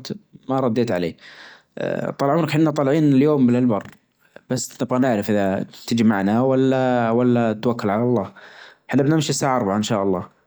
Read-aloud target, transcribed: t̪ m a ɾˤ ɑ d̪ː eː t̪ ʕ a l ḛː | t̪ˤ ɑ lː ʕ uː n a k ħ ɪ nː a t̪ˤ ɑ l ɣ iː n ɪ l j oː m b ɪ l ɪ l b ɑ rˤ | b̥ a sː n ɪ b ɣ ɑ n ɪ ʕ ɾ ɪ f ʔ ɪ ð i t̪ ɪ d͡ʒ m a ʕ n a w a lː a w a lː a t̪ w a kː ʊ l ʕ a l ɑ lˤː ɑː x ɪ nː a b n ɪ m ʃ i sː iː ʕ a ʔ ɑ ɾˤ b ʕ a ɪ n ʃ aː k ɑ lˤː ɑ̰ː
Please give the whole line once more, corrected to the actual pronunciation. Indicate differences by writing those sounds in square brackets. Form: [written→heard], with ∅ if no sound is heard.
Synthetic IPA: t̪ m a ɾˤ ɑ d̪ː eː t̪ ʕ a l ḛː | t̪ˤ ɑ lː ʕ uː n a k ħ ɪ nː a t̪ˤ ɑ l [ɣ→ʕ] iː n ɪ l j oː m b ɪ l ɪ l b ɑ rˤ | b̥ a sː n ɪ b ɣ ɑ n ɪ ʕ ɾ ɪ f ʔ ɪ ð [i→a] t̪ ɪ d͡ʒ m a ʕ n a w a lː a w a lː a t̪ w a kː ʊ l ʕ a l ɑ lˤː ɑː [x→ħ] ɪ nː a b n ɪ m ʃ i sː [iː→aː] ʕ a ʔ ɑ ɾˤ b ʕ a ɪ n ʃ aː [k→ʔ] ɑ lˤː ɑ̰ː